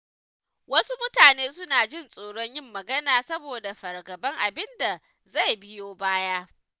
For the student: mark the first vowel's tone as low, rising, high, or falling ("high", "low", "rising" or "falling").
high